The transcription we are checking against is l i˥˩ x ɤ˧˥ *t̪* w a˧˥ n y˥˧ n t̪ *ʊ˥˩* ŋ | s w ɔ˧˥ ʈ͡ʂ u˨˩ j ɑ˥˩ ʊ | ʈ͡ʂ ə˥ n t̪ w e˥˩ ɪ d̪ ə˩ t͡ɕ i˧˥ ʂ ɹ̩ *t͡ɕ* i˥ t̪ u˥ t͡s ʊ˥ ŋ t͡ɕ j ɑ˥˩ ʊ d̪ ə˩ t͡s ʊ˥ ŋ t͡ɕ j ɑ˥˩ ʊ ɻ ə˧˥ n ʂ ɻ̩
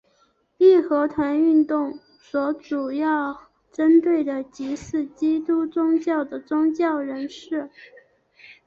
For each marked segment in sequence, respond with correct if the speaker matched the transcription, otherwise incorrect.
incorrect, correct, correct

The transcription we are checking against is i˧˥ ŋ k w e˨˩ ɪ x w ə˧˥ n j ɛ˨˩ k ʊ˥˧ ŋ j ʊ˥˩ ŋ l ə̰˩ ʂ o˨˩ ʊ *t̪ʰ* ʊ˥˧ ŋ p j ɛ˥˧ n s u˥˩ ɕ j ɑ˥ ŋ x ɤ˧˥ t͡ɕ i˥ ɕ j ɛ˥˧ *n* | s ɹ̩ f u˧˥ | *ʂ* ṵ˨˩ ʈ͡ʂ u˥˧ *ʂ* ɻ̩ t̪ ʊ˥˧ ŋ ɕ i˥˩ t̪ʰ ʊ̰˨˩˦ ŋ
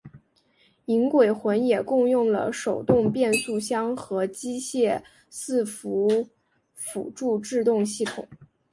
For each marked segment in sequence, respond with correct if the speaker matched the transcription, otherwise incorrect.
incorrect, incorrect, incorrect, incorrect

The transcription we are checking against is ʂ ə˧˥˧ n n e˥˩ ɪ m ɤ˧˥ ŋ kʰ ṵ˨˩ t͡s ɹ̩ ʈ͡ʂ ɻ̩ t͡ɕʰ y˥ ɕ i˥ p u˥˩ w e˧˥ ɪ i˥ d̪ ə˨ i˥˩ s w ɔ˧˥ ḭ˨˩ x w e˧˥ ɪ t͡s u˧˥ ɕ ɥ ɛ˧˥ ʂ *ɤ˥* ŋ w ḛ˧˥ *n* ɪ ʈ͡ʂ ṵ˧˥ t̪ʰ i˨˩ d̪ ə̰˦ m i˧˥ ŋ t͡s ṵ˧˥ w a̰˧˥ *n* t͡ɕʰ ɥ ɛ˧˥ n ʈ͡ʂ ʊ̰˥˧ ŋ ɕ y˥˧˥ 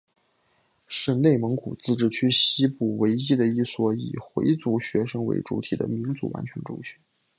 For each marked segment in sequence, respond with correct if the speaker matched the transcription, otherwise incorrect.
correct, incorrect, correct

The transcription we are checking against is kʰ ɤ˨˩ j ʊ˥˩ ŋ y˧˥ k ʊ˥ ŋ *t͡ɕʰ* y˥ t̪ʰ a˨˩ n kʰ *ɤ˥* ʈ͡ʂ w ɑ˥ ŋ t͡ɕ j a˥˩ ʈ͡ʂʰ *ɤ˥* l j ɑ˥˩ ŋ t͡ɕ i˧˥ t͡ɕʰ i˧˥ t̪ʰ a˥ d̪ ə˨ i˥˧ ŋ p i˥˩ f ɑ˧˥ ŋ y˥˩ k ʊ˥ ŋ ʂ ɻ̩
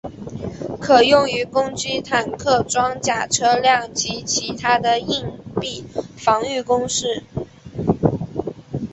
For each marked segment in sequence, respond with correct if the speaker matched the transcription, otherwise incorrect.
incorrect, incorrect, correct

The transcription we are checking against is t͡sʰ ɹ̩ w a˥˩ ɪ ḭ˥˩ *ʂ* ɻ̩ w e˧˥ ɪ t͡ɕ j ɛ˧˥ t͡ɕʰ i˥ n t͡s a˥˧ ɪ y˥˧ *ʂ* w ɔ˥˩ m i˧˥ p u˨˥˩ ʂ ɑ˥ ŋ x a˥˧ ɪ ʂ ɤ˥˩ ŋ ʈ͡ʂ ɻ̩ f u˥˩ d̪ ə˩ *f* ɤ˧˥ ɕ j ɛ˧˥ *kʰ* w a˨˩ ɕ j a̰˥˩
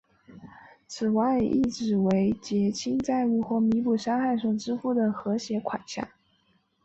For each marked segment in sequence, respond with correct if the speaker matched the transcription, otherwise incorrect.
incorrect, incorrect, incorrect, correct

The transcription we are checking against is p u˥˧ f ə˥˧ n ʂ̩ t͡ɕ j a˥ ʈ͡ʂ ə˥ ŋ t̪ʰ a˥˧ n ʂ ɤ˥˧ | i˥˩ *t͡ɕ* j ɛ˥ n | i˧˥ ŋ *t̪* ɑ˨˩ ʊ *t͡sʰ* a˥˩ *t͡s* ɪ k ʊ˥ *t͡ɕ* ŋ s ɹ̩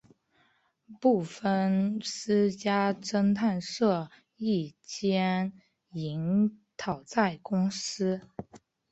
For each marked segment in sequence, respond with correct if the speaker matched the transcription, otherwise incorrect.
correct, incorrect, incorrect, incorrect, incorrect

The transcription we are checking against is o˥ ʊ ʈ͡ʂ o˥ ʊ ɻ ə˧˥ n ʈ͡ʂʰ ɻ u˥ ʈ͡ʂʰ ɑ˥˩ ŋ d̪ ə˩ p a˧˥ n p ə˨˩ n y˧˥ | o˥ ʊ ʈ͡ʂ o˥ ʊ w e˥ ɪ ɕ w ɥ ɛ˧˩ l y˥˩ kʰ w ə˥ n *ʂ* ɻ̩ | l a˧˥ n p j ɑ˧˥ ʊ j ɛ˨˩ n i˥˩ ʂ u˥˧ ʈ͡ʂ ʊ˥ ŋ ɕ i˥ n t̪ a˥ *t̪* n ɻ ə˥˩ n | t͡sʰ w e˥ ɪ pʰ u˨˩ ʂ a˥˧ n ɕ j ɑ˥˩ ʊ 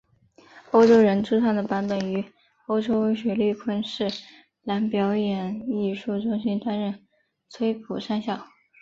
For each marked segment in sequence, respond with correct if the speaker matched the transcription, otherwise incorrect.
correct, incorrect

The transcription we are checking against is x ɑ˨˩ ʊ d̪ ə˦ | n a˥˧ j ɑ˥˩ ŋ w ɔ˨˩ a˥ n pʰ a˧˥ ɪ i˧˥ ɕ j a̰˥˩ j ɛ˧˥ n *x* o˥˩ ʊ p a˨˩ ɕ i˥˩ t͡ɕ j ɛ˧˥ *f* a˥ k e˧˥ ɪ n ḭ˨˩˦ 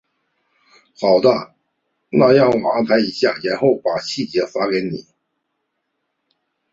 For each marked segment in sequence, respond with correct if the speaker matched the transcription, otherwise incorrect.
correct, correct

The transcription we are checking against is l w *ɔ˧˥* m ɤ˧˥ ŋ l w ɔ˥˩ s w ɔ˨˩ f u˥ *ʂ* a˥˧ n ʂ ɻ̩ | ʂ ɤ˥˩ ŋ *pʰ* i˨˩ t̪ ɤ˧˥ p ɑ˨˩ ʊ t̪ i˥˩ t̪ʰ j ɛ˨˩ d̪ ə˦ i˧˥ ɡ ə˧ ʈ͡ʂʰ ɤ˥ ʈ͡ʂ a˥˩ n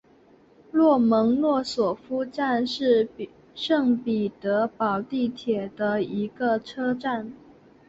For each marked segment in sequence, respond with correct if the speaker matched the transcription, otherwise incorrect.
incorrect, incorrect, incorrect

